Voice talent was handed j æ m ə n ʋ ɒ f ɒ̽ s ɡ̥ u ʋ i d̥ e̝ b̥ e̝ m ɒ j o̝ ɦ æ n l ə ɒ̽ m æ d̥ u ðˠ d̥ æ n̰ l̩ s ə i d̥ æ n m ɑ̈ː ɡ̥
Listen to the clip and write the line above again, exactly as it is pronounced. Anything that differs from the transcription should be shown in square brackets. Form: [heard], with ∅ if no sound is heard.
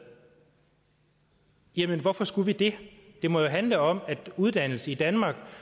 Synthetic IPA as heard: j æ m ə n ʋ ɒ f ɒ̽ s ɡ̥ u ʋ i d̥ e̝ [d̥] e̝ m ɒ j o̝ ɦ æ n l ə ɒ̽ m æ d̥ u ðˠ d̥ æ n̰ l̩ s ə i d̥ æ n m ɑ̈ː ɡ̥

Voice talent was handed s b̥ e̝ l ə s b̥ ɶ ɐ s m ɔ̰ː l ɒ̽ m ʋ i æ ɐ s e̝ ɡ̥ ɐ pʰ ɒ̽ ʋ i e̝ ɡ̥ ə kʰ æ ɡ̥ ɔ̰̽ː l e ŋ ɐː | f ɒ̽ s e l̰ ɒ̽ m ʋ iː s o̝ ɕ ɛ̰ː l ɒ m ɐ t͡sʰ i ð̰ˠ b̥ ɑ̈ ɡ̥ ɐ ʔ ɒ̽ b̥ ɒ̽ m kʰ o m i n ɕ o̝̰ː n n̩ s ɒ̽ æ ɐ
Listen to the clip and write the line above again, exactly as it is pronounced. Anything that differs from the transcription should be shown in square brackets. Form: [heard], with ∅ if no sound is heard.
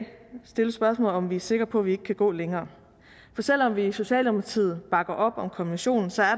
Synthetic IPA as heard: s [d̥] e̝ l ə s b̥ ɶ ɐ s m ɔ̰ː l ɒ̽ m ʋ i æ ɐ s e̝ ɡ̥ ɐ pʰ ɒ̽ ʋ i e̝ ɡ̥ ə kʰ æ ɡ̥ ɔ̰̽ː l e ŋ ɐː | f ɒ̽ s e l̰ ɒ̽ m ʋ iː s o̝ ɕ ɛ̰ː l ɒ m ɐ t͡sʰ i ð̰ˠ b̥ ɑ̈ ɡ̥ ɐ ʔ ɒ̽ b̥ ɒ̽ m kʰ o m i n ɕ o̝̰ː n n̩ s ɒ̽ æ ɐ

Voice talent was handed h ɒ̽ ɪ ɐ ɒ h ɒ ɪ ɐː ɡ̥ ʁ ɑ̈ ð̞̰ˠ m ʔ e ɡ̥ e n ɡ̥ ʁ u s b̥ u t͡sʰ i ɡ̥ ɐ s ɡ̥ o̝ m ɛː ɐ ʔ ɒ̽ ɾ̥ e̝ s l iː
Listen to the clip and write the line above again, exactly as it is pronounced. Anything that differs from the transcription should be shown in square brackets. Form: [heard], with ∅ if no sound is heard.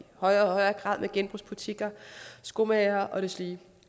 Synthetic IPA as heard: h ɒ̽ ɪ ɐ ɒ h ɒ ɪ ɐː ɡ̥ ʁ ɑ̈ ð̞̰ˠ m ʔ e ɡ̥ e n [b̥] ʁ u s b̥ u t͡sʰ i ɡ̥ ɐ s ɡ̥ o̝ m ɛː ɐ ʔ ɒ̽ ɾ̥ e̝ s l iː

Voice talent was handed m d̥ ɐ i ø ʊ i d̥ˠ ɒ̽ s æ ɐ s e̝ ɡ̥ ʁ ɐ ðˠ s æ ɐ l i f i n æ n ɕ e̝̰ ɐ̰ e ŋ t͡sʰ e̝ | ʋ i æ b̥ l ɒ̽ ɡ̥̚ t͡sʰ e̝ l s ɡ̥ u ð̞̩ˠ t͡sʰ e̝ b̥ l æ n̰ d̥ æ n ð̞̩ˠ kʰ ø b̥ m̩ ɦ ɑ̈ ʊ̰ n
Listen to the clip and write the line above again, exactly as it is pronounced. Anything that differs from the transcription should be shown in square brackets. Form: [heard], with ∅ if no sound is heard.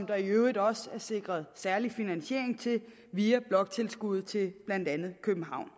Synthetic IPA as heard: m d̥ ɐ i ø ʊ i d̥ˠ ɒ̽ s æ ɐ s e̝ ɡ̥ ʁ ɐ ðˠ s æ ɐ l i f i n æ n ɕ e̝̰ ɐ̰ e ŋ t͡sʰ e̝ | ʋ i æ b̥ l ɒ̽ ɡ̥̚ t͡sʰ e̝ l s ɡ̥ u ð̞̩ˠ t͡sʰ e̝ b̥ l æ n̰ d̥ æ n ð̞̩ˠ kʰ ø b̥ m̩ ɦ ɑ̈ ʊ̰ n

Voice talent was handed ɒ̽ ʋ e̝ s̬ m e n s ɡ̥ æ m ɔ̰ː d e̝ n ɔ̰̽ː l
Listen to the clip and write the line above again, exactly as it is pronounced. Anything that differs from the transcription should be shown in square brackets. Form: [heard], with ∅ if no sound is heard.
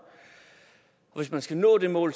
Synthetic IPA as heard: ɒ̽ ʋ e̝ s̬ m [æ] n s ɡ̥ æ [n] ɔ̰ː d e̝ [m] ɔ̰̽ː l

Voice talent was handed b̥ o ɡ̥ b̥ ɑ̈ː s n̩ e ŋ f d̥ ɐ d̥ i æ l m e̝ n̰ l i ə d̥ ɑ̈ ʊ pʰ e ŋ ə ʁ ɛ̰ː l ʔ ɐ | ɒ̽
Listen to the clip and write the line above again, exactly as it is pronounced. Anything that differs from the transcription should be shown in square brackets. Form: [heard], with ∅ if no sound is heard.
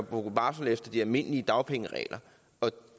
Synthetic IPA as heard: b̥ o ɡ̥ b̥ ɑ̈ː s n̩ e [∅] f d̥ ɐ d̥ i æ l m e̝ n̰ l i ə d̥ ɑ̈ ʊ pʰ e ŋ ə ʁ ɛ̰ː l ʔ ɐ | ɒ̽

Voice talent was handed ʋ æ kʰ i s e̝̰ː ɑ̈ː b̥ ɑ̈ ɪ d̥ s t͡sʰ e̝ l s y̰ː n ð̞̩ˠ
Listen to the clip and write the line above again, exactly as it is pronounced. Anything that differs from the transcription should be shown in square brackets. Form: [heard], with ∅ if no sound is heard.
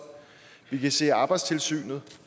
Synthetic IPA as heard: ʋ [i] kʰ [æ] s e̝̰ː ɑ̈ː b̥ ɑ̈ ɪ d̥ s t͡sʰ e̝ l s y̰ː n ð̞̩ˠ

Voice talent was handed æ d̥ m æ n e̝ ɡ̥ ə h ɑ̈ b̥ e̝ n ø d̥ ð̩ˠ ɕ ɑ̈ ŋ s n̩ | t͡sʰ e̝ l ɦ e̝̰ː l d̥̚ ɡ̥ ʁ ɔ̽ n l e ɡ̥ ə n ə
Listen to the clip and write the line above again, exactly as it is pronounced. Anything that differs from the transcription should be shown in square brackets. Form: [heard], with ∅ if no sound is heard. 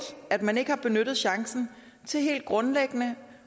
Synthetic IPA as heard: æ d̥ m æ n e̝ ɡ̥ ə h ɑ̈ b̥ e̝ n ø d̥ ð̩ˠ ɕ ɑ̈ ŋ s n̩ | t͡sʰ e̝ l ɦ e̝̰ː l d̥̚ ɡ̥ ʁ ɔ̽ n l e ɡ̥ ə n ə

